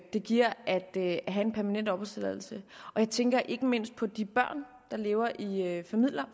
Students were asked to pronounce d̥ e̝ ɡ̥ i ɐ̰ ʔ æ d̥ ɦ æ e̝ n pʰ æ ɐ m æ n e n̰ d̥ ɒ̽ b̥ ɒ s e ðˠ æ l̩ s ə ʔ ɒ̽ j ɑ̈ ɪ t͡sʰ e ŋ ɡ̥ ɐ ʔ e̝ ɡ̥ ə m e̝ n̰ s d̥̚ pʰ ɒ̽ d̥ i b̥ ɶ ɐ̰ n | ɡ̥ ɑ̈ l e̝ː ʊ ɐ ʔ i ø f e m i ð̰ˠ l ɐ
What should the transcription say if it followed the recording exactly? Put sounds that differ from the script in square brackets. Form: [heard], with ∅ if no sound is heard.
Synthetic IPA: d̥ e̝ ɡ̥ i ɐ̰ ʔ æ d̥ ɦ æ e̝ n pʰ æ ɐ m æ n e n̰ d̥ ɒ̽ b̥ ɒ s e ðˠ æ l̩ s ə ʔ ɒ̽ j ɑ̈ ɪ t͡sʰ e ŋ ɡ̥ ɐ ʔ e̝ ɡ̥ ə m e̝ n̰ s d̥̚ pʰ ɒ̽ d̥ i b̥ ɶ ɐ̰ n | [d̥] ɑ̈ l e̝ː ʊ ɐ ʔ i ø f [æ] m i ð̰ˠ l ɐ